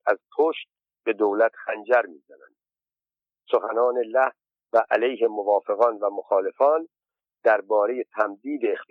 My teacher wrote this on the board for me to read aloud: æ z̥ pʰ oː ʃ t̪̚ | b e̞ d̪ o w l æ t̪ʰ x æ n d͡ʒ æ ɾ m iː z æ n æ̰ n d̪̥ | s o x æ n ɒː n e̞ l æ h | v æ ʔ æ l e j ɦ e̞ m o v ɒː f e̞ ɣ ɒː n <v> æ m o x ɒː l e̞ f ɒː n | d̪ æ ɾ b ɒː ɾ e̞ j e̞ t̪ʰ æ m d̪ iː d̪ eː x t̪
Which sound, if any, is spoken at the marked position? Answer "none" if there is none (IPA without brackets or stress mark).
v